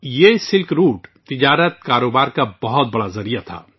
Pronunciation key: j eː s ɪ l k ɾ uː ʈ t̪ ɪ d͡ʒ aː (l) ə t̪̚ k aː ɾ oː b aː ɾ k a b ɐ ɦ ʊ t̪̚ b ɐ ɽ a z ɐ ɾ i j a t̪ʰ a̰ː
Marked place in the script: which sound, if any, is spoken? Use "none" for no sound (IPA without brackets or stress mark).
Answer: ɾ